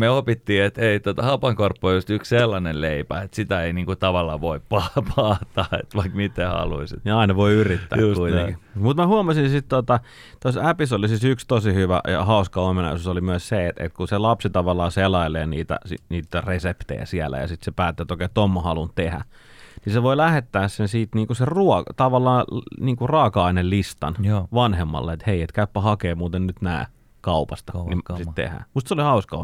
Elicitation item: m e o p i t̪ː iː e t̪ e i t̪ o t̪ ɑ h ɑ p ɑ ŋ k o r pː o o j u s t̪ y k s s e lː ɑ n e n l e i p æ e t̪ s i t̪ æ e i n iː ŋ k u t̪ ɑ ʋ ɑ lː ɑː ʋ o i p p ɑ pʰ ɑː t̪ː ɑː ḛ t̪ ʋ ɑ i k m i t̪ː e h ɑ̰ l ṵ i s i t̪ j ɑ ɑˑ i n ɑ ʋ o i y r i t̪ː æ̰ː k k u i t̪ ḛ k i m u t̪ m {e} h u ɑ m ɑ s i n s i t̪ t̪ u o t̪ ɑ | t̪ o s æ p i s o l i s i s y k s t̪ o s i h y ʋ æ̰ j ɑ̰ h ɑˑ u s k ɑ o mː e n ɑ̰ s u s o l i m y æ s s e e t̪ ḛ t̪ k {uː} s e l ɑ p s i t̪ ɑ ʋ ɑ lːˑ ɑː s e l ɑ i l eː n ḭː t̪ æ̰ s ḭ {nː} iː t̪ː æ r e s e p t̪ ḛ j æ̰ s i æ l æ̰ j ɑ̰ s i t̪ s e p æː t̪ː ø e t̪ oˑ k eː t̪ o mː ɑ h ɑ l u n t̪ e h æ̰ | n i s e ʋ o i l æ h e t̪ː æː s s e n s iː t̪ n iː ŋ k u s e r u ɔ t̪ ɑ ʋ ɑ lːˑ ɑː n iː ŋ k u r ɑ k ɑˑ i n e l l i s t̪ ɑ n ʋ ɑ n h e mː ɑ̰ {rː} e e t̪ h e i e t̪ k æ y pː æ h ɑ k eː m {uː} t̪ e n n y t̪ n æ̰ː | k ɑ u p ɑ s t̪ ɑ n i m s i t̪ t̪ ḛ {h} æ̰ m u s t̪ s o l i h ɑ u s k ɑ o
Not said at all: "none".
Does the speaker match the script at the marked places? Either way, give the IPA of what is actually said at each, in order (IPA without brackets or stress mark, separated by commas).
æ, u, n, lː, uː, h